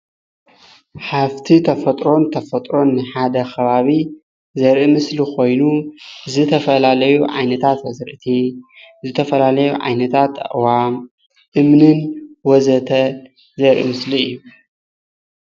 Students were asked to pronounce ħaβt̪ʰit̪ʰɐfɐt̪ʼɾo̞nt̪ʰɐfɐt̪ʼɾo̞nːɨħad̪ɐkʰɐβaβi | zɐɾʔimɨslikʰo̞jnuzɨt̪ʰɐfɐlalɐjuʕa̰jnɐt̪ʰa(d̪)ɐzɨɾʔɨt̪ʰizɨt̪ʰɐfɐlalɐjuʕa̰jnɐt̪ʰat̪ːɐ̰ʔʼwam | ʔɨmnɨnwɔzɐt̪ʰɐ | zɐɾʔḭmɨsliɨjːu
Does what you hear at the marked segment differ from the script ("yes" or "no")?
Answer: yes